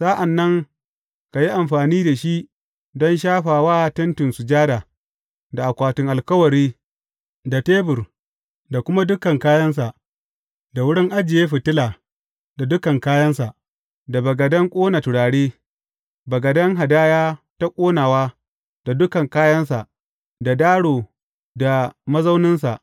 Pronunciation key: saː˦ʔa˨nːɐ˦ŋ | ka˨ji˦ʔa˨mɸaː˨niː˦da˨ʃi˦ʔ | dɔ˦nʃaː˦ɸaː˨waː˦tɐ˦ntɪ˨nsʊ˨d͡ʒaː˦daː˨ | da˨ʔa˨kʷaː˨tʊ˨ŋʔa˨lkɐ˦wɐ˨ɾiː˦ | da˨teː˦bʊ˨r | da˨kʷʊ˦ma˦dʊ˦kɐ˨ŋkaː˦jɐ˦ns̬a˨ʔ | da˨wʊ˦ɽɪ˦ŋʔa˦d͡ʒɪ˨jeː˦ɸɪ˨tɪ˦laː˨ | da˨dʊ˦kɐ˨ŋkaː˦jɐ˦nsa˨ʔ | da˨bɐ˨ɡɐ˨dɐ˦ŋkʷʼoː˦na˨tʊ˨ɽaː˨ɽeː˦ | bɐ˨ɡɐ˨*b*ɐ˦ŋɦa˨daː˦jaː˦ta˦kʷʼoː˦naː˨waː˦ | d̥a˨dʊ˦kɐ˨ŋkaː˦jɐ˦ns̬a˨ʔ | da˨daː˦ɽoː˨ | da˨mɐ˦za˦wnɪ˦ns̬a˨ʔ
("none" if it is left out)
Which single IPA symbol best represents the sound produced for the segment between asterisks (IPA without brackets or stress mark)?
d